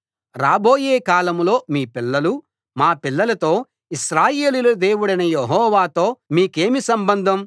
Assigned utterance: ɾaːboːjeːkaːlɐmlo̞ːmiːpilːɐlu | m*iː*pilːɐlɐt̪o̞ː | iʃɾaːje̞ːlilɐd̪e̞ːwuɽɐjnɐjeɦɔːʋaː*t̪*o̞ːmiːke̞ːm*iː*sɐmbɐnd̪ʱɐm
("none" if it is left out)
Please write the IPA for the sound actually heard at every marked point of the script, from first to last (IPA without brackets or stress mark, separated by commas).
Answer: aː, t̪, i